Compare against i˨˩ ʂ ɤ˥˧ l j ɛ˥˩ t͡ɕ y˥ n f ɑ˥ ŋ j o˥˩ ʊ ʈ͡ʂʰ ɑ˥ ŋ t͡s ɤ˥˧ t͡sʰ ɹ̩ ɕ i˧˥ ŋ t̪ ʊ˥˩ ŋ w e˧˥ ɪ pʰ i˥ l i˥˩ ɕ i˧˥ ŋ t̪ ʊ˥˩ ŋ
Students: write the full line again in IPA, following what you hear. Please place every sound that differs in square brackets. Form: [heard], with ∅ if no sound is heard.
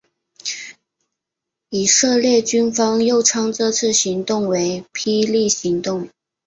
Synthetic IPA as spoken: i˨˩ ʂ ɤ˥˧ l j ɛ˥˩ t͡ɕ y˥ n f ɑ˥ ŋ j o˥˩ ʊ ʈ͡ʂʰ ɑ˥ ŋ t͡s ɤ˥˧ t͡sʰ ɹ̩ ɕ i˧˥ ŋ t̪ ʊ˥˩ ŋ w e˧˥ ɪ pʰ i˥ l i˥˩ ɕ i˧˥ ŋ t̪ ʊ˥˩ ŋ